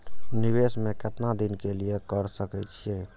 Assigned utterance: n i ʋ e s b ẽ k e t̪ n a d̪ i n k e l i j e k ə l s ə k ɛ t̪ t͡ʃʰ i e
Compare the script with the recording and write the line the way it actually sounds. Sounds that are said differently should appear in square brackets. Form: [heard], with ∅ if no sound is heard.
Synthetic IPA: n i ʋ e s [m] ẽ k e t̪ n a d̪ i n k e l i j e k ə [ɾ] s ə k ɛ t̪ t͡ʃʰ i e